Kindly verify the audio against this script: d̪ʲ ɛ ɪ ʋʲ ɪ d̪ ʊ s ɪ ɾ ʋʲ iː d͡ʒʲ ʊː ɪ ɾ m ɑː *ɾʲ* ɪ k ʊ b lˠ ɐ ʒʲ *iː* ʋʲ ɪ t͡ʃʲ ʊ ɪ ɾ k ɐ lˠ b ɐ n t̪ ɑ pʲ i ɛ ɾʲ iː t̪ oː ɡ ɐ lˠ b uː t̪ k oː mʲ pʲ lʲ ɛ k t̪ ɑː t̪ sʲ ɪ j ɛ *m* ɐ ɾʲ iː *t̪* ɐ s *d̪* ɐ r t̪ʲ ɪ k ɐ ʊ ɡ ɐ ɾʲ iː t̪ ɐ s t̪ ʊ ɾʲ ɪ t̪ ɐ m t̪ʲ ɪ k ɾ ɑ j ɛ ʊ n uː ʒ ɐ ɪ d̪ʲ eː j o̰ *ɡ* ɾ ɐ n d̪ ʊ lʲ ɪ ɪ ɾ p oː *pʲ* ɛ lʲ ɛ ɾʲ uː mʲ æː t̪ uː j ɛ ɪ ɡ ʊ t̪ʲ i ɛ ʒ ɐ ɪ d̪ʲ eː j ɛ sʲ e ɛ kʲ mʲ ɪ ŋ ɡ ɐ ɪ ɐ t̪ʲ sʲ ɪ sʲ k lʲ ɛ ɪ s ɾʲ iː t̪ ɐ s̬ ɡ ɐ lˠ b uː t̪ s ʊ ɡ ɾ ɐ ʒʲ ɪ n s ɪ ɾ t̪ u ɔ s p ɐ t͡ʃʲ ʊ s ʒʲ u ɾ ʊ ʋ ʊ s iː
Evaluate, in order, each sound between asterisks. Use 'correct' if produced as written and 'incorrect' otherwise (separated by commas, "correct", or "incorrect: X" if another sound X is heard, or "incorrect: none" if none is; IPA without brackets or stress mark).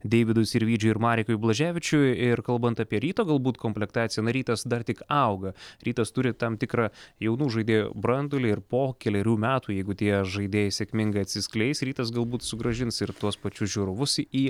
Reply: correct, incorrect: æː, incorrect: n, correct, correct, incorrect: b, incorrect: kʲ